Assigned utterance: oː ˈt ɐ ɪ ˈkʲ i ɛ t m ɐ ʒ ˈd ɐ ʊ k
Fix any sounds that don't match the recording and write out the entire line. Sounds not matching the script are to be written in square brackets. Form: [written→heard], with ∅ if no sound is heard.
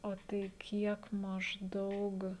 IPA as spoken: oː ˈt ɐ ɪ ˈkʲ i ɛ [t→k] m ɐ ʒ ˈd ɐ ʊ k